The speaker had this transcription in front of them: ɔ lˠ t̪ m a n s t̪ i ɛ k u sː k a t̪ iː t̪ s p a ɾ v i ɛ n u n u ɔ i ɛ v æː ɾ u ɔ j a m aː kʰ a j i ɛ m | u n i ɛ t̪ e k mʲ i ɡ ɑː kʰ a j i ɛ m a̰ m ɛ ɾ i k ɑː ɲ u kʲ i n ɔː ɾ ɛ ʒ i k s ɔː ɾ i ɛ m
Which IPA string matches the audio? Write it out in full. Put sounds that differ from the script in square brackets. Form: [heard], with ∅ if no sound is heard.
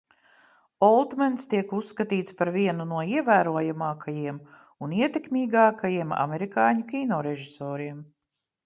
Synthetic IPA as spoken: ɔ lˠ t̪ m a n s t̪ i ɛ k u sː k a t̪ iː t̪ s p a ɾ v i ɛ n u n u ɔ i ɛ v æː ɾ u ɔ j a m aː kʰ a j i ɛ m | u n i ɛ t̪ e k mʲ [iː] ɡ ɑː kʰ a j i ɛ m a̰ m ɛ ɾ i k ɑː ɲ u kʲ i n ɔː ɾ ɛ ʒ i [∅] s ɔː ɾ i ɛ m

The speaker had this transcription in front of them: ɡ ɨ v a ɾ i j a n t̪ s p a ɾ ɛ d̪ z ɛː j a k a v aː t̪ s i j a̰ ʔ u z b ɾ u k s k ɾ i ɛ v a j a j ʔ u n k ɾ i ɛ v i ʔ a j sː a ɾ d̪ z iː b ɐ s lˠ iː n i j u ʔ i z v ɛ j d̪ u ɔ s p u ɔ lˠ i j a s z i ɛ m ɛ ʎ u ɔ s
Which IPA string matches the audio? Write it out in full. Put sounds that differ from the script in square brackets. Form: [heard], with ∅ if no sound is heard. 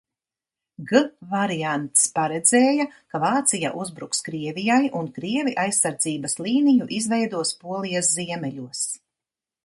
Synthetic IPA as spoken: ɡ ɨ v a ɾ i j a n t̪ s p a ɾ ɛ d̪ z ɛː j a k a v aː t̪ s i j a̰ ʔ u z b ɾ u k s k ɾ i ɛ v [i] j a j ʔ u n k ɾ i ɛ v i ʔ a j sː a ɾ d̪ z iː b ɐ s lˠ iː n i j u ʔ i z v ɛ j d̪ u ɔ s p u ɔ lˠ i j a s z i ɛ m ɛ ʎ u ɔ s

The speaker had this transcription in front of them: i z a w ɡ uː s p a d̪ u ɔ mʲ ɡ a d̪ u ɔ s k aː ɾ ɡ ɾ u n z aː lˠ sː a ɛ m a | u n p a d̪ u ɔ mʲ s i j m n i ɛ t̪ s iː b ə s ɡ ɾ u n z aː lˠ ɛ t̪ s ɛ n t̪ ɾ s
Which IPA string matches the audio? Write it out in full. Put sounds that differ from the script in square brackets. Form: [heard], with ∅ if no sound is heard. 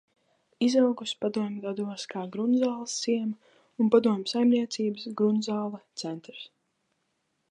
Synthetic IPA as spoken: i z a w ɡ [u] s p a d̪ u ɔ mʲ ɡ a d̪ u ɔ s k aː [∅] ɡ ɾ u n z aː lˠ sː [i] ɛ m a | u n p a d̪ u ɔ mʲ s [a] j m n i ɛ t̪ s iː b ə s ɡ ɾ u n z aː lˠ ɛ t̪ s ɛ n t̪ ɾ s

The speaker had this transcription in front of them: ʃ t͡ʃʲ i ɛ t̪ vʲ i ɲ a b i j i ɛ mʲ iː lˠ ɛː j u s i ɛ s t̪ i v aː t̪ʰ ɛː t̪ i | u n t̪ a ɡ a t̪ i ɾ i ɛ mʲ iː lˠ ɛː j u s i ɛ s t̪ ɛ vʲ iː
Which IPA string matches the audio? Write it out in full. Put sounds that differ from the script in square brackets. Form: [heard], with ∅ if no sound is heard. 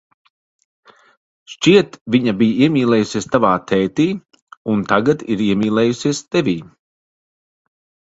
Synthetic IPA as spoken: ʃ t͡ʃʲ i ɛ t̪ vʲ i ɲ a b i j i ɛ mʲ iː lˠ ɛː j u s i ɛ s t̪ [a] v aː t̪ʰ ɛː t̪ [iː] | u n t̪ a ɡ a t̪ i ɾ i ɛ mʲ iː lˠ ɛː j u s i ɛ s t̪ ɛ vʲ iː

